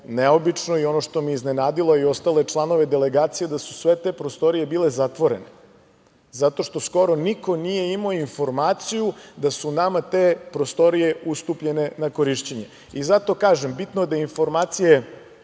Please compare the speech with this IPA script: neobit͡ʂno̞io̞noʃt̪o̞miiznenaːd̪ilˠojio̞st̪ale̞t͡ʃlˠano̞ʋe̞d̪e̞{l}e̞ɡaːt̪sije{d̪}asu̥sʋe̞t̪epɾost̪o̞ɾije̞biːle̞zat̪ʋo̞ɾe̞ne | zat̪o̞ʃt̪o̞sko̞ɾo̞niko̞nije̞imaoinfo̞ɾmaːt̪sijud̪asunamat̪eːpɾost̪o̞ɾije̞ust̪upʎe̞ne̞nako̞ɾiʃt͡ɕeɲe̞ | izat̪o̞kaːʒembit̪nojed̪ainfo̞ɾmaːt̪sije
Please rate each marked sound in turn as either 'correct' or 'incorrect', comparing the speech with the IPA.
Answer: correct, correct

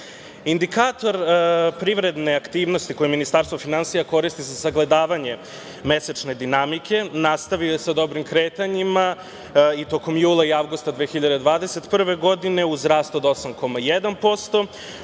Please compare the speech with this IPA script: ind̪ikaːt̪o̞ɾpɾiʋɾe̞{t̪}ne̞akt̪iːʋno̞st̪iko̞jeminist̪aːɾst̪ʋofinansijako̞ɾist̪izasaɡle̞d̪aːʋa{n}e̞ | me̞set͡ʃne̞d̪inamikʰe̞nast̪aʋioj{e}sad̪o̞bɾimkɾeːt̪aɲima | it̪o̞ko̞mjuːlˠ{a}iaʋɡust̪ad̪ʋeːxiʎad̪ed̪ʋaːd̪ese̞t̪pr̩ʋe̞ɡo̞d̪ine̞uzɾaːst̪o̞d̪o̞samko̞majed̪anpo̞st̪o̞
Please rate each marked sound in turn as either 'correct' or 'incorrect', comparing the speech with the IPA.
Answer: incorrect, incorrect, correct, correct

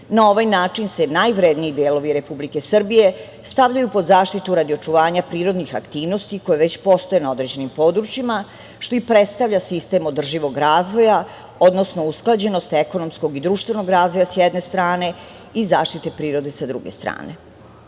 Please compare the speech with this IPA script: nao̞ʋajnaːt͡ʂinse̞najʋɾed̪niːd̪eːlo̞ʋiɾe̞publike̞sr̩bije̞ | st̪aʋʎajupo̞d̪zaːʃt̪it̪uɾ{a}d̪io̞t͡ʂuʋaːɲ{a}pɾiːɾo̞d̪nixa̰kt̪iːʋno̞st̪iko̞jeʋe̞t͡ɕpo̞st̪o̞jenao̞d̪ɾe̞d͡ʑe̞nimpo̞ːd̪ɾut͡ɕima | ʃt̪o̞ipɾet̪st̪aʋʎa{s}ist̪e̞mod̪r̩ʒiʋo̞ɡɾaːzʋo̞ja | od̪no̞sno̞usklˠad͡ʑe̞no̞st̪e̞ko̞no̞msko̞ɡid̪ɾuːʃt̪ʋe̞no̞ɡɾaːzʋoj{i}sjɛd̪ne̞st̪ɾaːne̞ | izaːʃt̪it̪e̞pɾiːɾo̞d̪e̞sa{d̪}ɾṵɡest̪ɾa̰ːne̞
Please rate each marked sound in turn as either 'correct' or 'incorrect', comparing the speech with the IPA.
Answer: correct, correct, correct, incorrect, correct

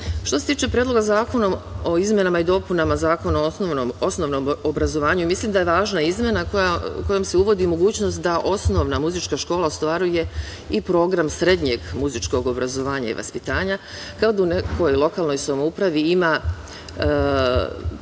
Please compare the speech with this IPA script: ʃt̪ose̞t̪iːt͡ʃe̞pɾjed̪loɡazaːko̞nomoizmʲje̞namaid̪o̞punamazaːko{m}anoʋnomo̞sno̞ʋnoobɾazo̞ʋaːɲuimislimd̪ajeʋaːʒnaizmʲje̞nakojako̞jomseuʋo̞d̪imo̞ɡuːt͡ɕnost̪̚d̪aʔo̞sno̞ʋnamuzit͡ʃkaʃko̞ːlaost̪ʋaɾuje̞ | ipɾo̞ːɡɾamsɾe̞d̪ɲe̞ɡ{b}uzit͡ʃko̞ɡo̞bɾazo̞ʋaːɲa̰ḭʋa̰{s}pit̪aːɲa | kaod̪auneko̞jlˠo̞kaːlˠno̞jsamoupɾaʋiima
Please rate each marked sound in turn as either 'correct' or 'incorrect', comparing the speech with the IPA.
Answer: incorrect, incorrect, correct

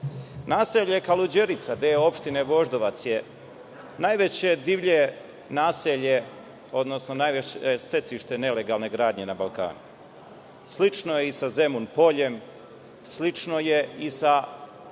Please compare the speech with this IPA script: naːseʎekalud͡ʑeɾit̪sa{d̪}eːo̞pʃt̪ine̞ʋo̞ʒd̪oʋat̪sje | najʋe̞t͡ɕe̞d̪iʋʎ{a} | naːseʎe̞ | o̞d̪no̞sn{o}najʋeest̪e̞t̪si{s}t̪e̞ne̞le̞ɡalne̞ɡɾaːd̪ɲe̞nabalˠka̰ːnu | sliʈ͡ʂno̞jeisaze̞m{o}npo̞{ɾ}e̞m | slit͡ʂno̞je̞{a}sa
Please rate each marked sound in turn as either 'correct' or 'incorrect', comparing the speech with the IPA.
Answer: correct, incorrect, correct, incorrect, incorrect, incorrect, incorrect

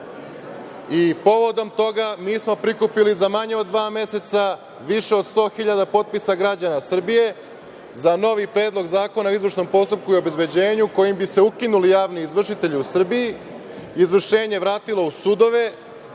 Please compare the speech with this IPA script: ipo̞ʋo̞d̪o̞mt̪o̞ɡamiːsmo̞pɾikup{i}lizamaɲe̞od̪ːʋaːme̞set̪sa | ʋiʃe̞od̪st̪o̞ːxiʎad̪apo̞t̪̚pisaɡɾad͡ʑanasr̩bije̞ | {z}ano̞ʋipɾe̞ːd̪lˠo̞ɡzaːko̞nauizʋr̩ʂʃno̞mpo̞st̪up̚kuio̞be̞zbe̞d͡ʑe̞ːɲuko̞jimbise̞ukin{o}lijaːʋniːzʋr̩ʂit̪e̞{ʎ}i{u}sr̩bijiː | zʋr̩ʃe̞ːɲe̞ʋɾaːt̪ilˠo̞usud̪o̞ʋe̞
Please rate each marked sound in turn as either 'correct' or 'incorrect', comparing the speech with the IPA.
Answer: correct, correct, incorrect, correct, correct

